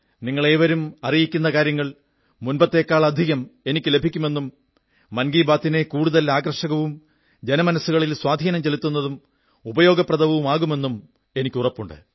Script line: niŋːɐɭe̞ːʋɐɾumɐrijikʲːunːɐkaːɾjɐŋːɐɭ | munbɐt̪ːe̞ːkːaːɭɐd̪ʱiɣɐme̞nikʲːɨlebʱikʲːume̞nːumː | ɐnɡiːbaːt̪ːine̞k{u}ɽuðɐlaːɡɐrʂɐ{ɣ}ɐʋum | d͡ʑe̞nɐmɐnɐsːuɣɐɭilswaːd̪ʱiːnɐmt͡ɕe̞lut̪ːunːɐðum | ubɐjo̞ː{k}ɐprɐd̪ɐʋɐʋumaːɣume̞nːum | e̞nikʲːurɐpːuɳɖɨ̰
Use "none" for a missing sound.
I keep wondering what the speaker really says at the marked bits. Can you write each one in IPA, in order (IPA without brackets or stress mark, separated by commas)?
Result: uː, ɣ, ɡ